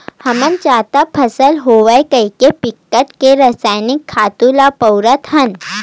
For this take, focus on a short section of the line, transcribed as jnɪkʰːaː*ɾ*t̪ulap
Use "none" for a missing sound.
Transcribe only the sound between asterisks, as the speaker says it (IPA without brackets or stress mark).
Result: none